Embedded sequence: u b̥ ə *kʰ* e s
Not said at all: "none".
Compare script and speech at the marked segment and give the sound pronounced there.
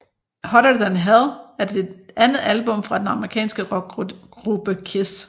kʰ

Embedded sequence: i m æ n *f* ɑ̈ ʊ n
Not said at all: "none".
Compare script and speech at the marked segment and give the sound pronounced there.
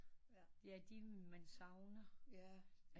s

